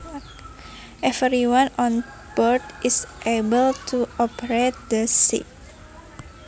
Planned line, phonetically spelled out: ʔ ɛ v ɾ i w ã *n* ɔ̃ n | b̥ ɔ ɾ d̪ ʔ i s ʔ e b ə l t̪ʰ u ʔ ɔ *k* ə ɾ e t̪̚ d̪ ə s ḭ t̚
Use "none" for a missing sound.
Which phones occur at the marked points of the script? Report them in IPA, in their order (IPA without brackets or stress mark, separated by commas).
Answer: n, p